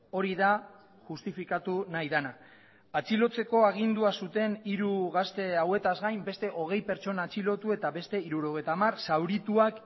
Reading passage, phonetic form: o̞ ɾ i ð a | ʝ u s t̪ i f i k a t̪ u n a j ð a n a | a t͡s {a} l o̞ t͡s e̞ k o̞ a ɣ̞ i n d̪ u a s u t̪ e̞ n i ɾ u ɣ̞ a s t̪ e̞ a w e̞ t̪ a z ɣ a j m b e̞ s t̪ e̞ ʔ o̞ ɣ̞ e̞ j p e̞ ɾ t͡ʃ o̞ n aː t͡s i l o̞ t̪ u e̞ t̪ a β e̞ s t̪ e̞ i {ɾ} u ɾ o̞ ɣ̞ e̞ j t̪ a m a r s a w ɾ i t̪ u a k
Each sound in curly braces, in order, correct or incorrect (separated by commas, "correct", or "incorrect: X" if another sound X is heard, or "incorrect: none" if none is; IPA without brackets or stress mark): incorrect: i, correct